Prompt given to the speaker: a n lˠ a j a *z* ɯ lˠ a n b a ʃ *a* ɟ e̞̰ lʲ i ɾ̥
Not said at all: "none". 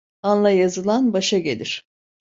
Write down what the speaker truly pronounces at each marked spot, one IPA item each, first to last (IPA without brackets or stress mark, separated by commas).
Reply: z, a